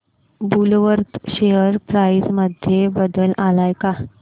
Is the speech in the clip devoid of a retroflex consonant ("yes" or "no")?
yes